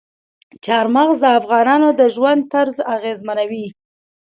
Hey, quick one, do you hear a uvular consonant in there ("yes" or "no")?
no